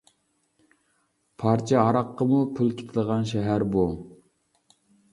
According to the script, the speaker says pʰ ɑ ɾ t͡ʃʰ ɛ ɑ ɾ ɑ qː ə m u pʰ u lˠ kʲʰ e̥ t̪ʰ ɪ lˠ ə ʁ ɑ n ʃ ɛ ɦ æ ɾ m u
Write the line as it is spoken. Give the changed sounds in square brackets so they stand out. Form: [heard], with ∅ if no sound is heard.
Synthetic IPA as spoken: pʰ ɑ ɾ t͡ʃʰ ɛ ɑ ɾ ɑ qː ə m u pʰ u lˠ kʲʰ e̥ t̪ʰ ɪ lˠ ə ʁ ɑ n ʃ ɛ ɦ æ ɾ [b] u